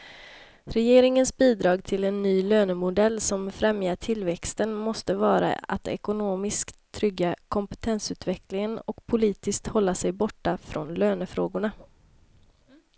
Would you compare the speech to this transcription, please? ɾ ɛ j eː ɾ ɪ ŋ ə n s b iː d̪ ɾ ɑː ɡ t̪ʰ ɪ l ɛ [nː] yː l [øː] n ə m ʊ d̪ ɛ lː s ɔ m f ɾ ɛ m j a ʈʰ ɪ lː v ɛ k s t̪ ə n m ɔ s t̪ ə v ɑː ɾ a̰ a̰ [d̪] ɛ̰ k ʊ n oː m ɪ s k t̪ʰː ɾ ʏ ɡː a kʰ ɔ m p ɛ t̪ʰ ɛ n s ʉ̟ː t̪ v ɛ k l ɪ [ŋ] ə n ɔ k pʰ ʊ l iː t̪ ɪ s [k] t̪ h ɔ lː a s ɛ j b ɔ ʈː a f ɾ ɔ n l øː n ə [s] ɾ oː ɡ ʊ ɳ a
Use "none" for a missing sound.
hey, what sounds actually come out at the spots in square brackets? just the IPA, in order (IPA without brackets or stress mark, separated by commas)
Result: nː, øː, t̪, ŋ, k, f